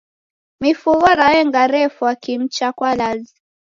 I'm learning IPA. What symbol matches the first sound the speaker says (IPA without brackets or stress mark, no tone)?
m